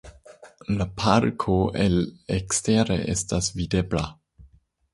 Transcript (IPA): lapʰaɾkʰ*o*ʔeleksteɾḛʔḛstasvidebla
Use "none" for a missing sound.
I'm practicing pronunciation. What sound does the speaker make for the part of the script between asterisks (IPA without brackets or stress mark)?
o